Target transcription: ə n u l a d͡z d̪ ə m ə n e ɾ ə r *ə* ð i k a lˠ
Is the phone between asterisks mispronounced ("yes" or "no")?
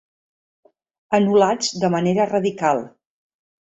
no